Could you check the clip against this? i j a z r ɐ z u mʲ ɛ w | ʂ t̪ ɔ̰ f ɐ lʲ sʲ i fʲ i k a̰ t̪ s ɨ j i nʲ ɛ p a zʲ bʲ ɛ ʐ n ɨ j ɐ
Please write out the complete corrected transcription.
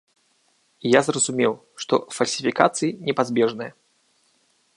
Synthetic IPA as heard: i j a z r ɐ z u mʲ ɛ w | ʂ t̪ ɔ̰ f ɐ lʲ sʲ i fʲ i k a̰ t̪ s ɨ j i nʲ ɛ p a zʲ bʲ ɛ ʐ n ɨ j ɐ